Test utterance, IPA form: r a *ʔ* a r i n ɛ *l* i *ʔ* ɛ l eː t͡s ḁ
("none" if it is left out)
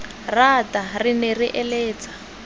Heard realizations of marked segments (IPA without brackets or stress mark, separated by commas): t, r, ʔ